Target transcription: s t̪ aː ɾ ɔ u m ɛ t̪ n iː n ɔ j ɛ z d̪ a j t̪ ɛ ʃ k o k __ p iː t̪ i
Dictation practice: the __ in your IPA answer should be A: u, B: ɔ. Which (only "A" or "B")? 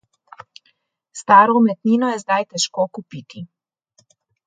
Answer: A